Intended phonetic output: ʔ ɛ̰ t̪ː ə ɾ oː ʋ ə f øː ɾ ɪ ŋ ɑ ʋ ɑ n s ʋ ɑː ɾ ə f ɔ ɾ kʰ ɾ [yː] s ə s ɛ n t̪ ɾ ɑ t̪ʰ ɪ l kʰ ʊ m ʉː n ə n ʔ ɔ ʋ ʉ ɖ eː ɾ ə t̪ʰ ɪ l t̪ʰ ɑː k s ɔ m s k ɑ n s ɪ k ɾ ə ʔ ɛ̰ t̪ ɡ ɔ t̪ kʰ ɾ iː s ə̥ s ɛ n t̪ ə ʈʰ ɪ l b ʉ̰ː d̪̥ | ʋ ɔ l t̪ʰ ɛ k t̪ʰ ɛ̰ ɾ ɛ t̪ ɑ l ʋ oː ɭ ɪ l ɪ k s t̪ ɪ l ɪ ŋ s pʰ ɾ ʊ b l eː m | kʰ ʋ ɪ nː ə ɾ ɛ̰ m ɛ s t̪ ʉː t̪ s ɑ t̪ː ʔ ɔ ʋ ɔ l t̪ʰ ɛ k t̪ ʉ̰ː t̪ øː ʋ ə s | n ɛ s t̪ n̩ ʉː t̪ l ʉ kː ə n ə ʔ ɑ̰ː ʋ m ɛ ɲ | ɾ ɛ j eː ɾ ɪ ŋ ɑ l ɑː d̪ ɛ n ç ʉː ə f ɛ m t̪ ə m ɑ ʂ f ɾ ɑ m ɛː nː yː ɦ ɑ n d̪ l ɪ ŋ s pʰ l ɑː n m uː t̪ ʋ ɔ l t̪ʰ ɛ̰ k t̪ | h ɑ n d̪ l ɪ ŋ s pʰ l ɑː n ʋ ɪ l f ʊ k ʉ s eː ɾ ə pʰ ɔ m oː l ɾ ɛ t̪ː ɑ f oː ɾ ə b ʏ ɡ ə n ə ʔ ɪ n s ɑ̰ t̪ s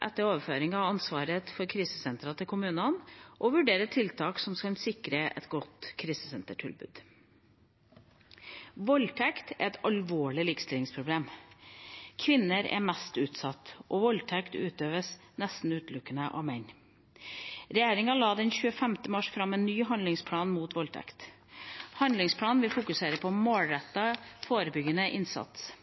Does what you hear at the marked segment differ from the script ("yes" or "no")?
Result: yes